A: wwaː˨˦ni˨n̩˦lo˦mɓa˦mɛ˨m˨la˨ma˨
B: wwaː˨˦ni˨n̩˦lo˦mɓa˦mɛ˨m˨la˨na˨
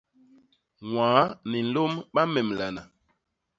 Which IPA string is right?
B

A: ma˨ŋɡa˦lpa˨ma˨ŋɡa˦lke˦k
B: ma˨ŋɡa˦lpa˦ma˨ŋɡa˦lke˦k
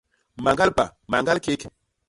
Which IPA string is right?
A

